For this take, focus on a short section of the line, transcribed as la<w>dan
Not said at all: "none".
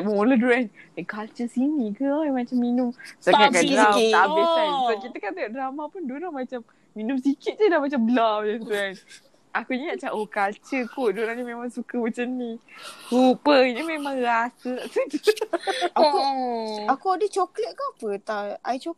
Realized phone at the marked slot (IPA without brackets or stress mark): w